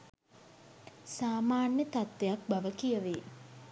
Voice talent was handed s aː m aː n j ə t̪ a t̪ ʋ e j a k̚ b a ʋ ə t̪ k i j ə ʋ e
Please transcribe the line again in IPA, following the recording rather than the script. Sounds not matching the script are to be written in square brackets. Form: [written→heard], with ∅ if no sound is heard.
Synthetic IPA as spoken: s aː m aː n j ə t̪ a t̪ ʋ e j a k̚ b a ʋ ə [t̪→∅] k i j ə ʋ e

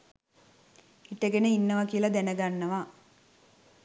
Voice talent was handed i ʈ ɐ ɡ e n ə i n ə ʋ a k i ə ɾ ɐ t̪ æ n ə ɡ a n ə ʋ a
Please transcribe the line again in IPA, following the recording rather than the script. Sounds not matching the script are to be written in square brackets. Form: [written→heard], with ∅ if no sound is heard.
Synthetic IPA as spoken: i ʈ [ɐ→ə] ɡ e n ə i [n→nː] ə ʋ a k i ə [ɾ→l] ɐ [t̪→d̪] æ n ə ɡ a [n→nː] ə ʋ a

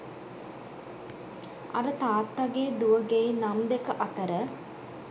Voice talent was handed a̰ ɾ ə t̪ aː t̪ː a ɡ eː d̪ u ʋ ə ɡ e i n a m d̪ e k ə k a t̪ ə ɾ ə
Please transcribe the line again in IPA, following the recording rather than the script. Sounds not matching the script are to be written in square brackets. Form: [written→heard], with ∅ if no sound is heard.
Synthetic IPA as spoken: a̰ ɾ ə t̪ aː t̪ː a ɡ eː d̪ u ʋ ə ɡ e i n a m d̪ e k ə [k→ʔ] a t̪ ə ɾ ə

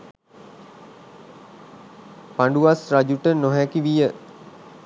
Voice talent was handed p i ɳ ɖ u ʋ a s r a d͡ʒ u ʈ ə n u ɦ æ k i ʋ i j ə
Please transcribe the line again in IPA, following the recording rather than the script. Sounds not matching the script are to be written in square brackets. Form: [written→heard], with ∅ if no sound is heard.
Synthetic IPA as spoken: p [i→a] ɳ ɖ u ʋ a s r a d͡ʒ u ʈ ə n [u→o] ɦ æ k i ʋ i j ə

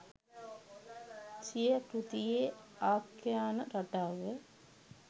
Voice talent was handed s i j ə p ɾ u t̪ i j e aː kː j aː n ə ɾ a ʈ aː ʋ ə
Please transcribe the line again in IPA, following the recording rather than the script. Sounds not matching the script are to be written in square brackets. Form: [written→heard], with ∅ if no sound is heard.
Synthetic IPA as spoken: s i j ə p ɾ u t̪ i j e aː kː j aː n ə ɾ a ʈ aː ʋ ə

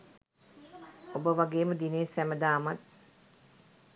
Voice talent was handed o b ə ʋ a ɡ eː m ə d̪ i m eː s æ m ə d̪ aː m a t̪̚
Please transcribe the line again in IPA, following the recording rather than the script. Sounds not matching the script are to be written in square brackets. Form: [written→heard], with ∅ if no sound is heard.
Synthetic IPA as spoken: o b ə ʋ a ɡ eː m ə d̪ i [m→n] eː s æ m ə d̪ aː m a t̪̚

